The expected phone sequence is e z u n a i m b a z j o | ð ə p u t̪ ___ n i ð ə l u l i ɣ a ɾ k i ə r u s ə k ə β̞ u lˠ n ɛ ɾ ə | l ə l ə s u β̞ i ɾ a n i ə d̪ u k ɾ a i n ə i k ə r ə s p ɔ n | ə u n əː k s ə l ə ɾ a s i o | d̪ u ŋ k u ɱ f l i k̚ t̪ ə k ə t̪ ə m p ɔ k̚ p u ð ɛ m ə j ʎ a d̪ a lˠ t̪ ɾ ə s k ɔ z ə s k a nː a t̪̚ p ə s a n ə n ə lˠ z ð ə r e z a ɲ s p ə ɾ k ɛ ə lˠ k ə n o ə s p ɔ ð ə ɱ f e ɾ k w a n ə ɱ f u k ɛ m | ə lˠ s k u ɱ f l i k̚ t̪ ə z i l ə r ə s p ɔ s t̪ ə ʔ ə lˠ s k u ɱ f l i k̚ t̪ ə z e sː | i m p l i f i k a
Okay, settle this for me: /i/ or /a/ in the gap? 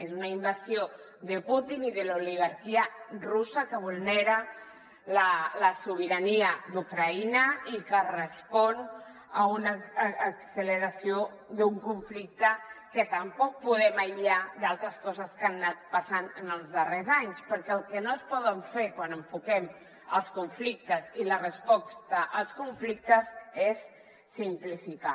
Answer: i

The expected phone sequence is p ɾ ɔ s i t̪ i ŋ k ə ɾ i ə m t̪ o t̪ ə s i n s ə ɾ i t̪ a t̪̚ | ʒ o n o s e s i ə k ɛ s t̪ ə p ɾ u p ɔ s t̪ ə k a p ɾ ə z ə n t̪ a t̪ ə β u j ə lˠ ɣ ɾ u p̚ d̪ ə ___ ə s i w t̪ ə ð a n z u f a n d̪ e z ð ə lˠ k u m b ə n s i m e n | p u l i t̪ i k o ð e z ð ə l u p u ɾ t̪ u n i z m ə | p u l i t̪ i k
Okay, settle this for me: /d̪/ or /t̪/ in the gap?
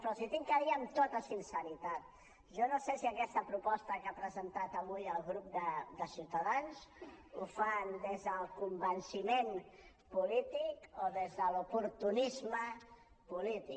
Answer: d̪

